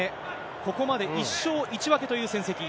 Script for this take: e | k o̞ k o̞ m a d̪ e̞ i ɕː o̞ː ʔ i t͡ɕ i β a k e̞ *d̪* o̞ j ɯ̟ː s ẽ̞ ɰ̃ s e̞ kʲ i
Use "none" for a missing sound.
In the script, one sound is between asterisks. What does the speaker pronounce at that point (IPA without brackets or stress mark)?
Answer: t̪